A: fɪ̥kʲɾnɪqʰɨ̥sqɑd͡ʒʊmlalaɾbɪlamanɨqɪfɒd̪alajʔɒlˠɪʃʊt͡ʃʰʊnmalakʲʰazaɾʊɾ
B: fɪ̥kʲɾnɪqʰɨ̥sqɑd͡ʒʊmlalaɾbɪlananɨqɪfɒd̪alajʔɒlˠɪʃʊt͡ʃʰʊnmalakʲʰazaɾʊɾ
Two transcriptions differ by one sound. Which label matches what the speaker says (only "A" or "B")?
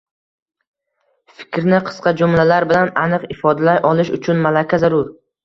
B